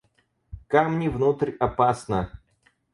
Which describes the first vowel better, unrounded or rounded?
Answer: unrounded